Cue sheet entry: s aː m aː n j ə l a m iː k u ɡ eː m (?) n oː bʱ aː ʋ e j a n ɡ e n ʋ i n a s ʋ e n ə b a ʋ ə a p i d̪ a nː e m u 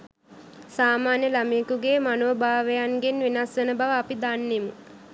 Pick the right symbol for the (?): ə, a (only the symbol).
a